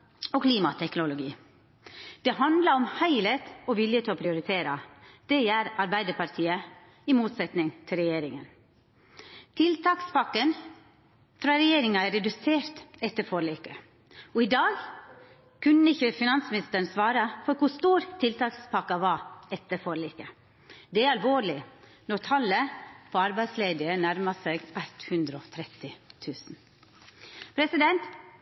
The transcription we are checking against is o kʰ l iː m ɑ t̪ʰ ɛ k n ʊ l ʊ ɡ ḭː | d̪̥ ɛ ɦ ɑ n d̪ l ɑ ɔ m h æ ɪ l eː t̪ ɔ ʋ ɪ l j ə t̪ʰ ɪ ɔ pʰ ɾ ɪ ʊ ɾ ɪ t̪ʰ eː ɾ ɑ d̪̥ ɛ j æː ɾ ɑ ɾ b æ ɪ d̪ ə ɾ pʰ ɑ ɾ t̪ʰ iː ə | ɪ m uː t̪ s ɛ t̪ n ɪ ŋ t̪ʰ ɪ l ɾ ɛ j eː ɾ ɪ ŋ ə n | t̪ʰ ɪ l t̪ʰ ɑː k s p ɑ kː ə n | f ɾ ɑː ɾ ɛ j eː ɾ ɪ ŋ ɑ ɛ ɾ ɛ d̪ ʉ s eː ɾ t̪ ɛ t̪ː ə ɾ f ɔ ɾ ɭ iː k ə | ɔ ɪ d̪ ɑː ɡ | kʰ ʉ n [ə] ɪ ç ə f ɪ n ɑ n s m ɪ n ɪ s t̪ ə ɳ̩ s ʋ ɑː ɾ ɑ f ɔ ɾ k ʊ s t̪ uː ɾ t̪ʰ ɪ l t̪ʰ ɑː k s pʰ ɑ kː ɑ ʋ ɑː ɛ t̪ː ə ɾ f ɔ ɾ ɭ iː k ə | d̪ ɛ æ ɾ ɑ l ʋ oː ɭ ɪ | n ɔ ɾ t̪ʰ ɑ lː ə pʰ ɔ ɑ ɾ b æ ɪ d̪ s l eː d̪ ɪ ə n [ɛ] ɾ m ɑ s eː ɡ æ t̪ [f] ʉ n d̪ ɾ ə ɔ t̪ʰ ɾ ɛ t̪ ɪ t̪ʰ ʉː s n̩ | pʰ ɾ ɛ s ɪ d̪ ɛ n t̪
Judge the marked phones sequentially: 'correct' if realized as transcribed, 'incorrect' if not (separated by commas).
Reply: correct, incorrect, incorrect